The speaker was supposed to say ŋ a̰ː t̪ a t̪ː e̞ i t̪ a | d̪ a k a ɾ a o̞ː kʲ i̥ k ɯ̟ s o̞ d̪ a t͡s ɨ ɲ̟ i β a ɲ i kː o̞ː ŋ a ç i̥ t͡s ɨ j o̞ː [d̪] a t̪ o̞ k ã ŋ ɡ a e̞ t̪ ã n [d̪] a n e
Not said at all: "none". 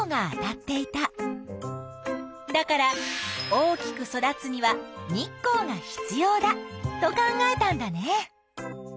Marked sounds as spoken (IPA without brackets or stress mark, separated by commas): d̪, d̪